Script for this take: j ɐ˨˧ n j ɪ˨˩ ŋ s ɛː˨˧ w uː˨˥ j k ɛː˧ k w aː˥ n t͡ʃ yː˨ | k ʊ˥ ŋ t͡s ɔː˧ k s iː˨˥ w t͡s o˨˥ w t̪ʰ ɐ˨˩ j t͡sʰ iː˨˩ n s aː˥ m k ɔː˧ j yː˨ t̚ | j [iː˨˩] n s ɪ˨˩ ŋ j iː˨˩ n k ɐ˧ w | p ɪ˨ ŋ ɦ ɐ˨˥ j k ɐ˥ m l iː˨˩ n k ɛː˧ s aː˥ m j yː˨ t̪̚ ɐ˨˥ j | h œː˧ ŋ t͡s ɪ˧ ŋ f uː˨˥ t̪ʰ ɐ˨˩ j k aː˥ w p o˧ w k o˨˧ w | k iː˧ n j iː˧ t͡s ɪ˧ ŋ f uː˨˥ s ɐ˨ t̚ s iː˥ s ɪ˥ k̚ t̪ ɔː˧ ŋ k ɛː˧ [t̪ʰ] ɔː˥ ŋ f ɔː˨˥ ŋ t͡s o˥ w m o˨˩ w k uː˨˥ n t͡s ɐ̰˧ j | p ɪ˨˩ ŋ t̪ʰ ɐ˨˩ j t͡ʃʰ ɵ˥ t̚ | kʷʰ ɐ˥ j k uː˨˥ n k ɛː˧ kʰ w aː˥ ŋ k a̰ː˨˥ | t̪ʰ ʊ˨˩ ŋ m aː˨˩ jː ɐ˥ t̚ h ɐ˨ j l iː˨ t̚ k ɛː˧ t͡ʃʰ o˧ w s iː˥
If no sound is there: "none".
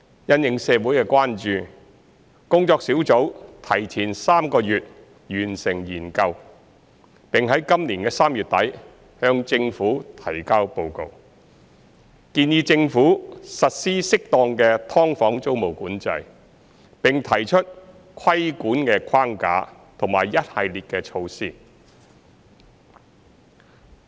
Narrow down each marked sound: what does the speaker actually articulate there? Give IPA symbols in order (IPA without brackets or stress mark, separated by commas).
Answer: yː˨˩, t̪ʰ